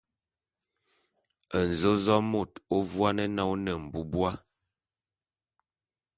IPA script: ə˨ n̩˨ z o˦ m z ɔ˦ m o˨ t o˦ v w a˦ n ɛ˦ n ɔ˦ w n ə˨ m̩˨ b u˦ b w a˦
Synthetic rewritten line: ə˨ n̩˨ z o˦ z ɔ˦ m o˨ t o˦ v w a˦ n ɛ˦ n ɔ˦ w n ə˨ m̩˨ b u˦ b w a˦